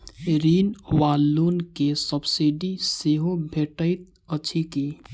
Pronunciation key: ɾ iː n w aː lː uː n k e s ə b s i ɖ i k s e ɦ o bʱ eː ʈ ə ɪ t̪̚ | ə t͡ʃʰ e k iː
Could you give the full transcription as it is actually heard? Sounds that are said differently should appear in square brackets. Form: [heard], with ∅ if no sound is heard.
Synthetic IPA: ɾ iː n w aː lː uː n k e s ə b s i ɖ i [∅] s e ɦ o bʱ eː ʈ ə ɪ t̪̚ | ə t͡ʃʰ [i] k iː